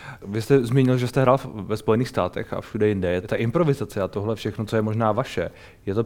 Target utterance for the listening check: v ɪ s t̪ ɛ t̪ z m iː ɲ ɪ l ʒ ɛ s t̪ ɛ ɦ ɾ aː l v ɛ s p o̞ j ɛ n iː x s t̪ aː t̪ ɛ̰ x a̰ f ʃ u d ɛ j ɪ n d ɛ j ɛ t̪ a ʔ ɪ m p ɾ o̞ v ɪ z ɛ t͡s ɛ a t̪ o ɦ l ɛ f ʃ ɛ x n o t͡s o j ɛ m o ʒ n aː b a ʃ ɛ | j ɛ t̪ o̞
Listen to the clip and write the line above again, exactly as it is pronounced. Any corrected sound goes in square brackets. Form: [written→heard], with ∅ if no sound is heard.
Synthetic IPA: v ɪ s t̪ ɛ [t̪→∅] z m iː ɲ ɪ l ʒ ɛ s t̪ ɛ ɦ ɾ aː l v ɛ s p o̞ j ɛ n iː x s t̪ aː t̪ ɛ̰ x a̰ f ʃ u d ɛ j ɪ n d ɛ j ɛ t̪ a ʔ ɪ m p ɾ o̞ v ɪ z [ɛ→a] t͡s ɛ a t̪ o ɦ l ɛ f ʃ ɛ x n o t͡s o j ɛ m o ʒ n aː [b→v] a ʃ ɛ | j ɛ t̪ o̞